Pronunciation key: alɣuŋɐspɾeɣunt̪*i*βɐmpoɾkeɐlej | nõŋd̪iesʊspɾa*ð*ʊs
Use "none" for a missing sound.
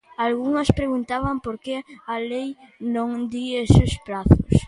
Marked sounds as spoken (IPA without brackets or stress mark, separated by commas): a, θ